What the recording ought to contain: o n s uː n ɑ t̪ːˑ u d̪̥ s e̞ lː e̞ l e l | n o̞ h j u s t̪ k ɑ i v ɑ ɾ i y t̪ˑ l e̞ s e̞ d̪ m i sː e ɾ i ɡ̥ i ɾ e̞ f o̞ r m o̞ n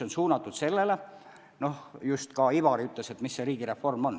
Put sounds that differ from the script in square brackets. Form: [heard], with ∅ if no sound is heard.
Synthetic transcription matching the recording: o n s uː n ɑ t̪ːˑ u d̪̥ s e̞ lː e̞ l e [∅] | n o̞ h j u s t̪ k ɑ i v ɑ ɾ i y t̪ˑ l e̞ s e̞ [t̪] m i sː e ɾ [iː] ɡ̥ i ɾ e̞ f o̞ r m o̞ n